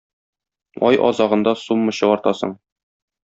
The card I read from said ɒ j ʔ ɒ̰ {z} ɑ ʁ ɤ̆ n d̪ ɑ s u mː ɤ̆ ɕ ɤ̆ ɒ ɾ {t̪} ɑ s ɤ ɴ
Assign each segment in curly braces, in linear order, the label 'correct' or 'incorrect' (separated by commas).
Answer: correct, correct